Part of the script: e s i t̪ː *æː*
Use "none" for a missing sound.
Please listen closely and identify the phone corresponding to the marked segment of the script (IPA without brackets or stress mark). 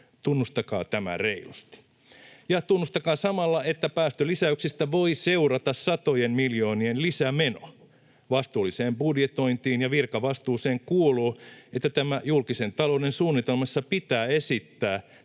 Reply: æː